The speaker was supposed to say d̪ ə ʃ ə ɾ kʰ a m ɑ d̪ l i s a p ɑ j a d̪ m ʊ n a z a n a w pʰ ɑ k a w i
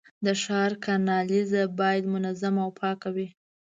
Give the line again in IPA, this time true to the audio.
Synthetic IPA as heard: d̪ ə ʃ ɑ ɾ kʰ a n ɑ l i z a b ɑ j a d̪ m ʊ n a z a m a w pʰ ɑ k a w i